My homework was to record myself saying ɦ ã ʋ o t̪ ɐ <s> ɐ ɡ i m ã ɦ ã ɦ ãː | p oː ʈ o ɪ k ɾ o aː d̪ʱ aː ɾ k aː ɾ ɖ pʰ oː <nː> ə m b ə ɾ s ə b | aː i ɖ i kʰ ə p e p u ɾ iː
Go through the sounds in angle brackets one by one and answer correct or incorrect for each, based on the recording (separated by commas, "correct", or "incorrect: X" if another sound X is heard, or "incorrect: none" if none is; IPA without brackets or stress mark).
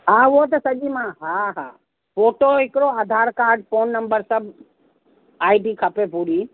correct, correct